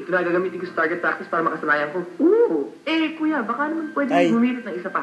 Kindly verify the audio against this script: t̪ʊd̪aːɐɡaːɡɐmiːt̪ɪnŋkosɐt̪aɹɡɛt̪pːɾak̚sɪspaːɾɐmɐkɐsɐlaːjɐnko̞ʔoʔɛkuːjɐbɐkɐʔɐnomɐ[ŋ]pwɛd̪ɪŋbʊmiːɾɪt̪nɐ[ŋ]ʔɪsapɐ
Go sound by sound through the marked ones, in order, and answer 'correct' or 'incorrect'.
incorrect: n, correct

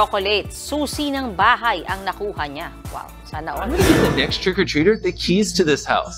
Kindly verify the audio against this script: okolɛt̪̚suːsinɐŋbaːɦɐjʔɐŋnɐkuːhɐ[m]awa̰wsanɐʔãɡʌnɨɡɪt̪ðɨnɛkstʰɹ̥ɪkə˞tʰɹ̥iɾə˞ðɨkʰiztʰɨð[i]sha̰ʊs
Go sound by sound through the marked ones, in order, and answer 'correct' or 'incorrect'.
incorrect: ɲ, incorrect: ɪ

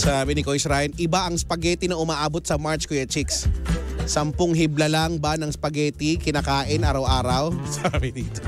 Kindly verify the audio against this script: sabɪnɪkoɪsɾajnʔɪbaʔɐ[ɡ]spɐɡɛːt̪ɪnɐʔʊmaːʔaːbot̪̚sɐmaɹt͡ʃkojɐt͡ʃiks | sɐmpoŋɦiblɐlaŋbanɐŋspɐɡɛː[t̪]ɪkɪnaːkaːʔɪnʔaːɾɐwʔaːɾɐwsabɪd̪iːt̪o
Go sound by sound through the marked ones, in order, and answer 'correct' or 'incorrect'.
incorrect: ŋ, correct

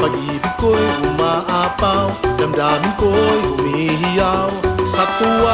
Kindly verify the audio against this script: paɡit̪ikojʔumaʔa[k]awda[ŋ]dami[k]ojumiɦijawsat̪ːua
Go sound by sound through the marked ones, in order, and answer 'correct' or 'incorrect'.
incorrect: p, incorrect: m, correct

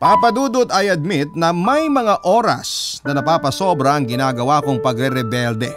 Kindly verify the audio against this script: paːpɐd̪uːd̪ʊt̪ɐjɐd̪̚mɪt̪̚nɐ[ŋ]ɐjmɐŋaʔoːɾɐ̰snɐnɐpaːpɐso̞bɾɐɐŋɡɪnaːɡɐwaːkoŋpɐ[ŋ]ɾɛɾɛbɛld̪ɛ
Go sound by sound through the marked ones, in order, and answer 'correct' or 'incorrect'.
incorrect: m, incorrect: ɡ

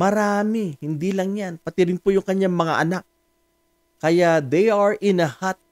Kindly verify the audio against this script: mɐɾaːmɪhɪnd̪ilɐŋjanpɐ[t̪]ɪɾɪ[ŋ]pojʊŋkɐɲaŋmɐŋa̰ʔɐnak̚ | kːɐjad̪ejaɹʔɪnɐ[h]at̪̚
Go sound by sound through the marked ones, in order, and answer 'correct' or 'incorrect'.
correct, incorrect: n, correct

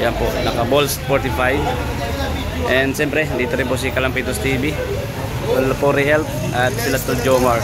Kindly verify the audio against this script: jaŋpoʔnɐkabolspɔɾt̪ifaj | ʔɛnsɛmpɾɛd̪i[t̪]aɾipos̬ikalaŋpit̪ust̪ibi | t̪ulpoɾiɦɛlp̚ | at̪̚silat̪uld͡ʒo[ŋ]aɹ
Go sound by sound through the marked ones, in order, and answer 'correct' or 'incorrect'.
correct, incorrect: m

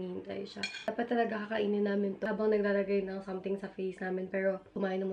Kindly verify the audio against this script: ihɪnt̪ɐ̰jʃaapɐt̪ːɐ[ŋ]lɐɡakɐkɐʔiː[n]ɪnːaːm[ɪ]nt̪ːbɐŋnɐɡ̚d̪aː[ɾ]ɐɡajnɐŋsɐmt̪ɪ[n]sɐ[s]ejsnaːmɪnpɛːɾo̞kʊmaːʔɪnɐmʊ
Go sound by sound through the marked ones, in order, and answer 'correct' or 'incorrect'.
incorrect: none, correct, correct, incorrect: l, incorrect: ŋ, incorrect: f

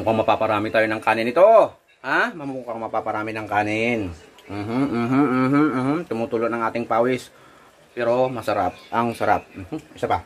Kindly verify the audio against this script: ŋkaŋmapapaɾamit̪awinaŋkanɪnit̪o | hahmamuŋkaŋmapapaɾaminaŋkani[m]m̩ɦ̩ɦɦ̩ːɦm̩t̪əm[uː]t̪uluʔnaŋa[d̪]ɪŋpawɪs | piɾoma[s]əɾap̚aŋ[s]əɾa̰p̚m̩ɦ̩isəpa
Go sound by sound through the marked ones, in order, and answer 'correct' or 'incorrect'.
incorrect: n, incorrect: u, incorrect: t̪, correct, correct

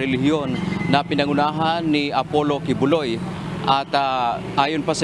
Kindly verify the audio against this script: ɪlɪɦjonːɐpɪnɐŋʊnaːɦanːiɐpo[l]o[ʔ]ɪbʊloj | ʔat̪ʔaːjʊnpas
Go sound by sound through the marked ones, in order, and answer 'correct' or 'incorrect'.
correct, incorrect: k

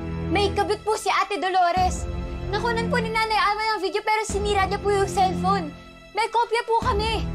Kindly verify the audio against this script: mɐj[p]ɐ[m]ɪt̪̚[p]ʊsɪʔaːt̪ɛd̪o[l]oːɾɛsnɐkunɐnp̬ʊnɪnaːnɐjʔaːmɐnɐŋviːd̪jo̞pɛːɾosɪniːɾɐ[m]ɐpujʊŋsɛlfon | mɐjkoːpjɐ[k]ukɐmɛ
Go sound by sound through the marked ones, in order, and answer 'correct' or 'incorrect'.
incorrect: k, incorrect: b, correct, correct, incorrect: ɲ, incorrect: p

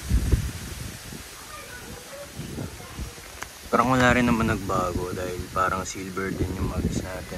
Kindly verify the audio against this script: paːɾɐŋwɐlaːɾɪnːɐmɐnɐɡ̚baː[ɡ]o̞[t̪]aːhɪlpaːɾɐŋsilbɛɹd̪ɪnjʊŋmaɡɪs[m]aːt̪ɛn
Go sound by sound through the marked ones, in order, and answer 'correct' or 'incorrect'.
correct, incorrect: d̪, incorrect: n

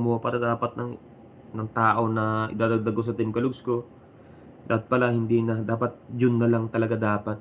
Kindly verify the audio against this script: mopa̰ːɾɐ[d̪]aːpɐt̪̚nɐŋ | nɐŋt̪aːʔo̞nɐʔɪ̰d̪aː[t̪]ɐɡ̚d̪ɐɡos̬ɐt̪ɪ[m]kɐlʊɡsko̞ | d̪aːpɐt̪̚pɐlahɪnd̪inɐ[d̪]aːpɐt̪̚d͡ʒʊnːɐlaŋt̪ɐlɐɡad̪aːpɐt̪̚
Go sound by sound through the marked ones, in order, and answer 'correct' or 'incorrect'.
correct, incorrect: d̪, correct, correct

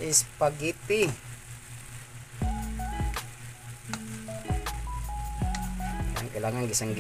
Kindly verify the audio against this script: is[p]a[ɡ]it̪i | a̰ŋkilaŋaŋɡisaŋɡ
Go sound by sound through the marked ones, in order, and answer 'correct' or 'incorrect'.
correct, correct

